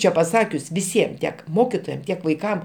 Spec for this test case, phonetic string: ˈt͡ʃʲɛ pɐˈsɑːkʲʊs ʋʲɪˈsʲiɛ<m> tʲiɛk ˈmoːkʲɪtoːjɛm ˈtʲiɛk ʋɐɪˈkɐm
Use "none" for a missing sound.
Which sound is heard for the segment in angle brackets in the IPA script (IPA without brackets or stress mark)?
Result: m